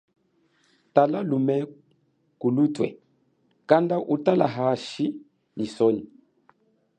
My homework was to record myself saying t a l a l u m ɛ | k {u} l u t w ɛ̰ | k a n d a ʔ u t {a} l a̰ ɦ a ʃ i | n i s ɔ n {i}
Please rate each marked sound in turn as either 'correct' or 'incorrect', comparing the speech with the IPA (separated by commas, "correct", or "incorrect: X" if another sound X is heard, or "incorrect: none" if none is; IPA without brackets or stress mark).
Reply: correct, correct, correct